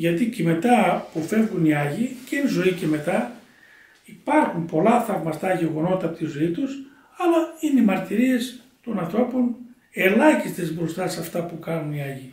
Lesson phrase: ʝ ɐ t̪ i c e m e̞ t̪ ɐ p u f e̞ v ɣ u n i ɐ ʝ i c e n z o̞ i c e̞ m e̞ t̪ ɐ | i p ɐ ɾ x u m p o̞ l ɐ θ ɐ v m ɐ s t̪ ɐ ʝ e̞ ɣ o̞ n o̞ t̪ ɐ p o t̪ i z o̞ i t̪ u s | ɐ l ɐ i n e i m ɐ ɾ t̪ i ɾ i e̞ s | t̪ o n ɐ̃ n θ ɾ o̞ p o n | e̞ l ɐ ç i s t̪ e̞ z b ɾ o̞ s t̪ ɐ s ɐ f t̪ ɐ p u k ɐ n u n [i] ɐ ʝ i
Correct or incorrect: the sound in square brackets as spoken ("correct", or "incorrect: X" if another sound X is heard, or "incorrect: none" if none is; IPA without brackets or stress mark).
correct